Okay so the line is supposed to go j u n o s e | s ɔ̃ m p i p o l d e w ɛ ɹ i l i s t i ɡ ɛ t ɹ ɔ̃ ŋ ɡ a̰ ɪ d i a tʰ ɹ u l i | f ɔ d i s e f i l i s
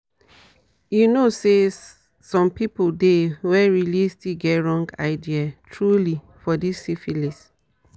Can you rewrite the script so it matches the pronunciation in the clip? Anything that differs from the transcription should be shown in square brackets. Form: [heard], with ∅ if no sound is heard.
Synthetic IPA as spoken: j u n o s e | s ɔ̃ m p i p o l d e w ɛ ɹ i l i s t i ɡ ɛ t ɹ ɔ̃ ŋ ɡ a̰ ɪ d i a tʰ ɹ u l i | f ɔ d i s [i] f i l i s